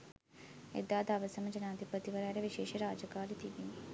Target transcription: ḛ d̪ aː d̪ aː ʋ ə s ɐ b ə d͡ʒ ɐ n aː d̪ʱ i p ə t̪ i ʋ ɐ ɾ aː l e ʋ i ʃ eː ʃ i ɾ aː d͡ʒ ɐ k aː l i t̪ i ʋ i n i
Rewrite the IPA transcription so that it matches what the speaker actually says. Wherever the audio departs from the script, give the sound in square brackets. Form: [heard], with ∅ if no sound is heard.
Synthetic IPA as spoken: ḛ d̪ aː d̪ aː ʋ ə s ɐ [m] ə d͡ʒ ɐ n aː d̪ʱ i p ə t̪ i ʋ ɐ ɾ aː [ɾ] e ʋ i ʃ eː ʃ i ɾ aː d͡ʒ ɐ k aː l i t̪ i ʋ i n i